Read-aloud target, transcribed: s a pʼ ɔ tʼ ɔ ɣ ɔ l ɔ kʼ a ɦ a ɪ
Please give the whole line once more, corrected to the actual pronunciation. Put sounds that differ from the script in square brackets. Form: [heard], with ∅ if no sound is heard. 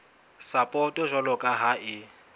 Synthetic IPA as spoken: s a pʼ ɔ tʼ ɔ [ʒ] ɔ l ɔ kʼ a ɦ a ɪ